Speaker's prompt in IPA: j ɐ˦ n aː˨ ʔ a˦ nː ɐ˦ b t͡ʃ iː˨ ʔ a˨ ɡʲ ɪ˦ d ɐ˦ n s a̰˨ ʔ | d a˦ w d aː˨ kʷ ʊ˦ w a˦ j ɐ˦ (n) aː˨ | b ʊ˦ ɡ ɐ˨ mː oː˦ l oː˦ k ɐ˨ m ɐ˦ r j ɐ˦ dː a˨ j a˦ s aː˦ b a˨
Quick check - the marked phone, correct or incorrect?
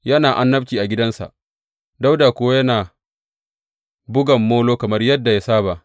correct